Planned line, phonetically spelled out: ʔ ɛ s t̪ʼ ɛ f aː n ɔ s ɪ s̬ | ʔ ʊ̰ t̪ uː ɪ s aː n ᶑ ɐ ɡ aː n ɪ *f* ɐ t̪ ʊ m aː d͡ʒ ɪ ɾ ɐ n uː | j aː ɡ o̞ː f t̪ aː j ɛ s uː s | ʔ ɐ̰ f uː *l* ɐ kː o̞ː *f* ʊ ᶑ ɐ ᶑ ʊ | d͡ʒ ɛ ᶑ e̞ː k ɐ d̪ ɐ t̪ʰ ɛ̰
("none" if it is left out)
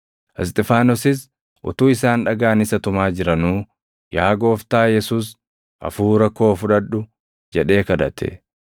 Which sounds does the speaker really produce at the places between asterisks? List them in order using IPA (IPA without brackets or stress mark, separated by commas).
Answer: s, ɾ, f